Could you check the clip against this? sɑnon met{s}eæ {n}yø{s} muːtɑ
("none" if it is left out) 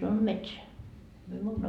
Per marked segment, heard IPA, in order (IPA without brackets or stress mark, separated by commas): s, m, none